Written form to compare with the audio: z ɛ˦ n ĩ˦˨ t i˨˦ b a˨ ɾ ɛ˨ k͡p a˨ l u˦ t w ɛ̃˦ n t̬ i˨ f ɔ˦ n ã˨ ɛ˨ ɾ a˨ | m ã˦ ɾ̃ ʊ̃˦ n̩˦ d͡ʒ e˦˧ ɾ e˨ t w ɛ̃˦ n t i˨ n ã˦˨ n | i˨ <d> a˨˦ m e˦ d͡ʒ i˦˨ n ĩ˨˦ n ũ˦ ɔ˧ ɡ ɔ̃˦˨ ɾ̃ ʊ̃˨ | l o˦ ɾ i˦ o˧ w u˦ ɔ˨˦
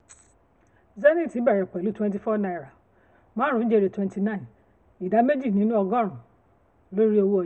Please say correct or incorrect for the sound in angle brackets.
correct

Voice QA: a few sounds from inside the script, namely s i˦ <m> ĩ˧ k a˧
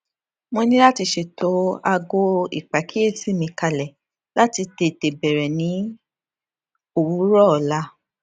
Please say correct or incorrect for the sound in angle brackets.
correct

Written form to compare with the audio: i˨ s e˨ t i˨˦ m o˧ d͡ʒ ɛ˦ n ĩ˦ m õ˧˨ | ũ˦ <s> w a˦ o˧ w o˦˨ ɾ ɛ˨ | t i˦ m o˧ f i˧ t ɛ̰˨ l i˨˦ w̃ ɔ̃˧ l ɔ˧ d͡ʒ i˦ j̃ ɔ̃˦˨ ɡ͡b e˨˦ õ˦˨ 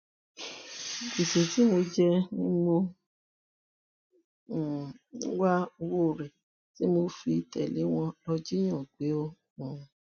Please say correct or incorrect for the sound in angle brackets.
incorrect: none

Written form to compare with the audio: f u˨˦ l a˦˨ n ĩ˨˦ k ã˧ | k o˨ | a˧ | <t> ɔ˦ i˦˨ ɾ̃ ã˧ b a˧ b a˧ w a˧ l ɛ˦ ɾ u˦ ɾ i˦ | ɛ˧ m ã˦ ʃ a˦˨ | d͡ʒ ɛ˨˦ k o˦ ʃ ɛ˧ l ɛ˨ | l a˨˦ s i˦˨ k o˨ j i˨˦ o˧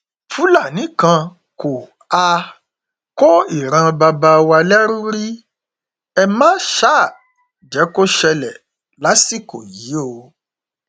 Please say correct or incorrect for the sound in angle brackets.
incorrect: k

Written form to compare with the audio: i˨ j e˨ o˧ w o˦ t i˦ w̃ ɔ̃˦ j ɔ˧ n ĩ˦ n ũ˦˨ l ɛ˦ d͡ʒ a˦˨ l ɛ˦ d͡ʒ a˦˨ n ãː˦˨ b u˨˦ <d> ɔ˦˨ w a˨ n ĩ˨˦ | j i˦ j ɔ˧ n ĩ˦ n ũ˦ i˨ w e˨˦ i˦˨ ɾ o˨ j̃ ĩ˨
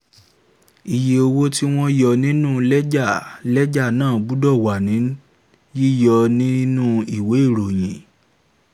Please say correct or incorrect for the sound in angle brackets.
correct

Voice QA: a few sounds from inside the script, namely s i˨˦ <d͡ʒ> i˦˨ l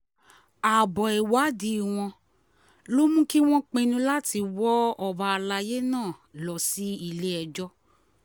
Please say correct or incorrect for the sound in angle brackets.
incorrect: none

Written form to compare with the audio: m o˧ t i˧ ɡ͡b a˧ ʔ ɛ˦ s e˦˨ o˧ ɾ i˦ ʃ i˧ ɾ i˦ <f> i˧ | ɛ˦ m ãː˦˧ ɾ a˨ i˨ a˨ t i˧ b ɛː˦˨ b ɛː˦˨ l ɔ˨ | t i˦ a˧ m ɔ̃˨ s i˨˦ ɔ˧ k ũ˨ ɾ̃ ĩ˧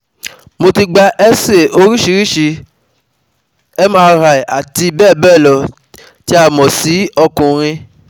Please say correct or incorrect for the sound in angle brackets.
incorrect: ʃ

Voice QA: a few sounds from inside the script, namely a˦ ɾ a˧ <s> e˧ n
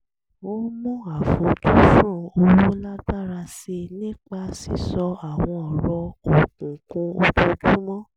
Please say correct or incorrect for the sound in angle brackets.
correct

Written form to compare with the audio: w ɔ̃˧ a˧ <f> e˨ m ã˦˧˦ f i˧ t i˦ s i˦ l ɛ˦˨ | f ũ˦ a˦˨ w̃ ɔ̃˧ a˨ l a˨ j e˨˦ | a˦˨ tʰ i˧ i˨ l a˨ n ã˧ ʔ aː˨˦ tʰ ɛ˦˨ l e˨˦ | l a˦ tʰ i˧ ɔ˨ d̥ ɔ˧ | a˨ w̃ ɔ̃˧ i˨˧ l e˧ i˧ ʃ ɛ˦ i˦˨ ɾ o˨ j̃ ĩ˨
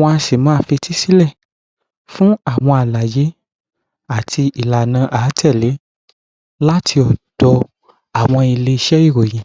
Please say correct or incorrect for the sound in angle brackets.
incorrect: ʃ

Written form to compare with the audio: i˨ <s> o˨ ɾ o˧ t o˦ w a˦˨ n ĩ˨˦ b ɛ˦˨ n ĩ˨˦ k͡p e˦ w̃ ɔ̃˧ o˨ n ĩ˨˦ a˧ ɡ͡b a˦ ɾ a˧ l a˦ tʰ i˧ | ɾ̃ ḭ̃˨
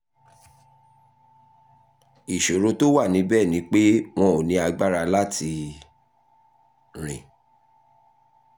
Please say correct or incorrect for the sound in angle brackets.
incorrect: ʃ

